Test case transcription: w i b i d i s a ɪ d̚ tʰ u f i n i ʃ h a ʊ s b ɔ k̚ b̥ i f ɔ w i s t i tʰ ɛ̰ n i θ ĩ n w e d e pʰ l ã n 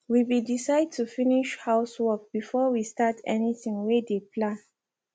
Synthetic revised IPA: w i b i d i s a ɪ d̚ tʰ u f i n i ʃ h a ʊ s w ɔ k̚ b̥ i f ɔ w i s t a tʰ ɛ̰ n i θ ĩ ŋ w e d e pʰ l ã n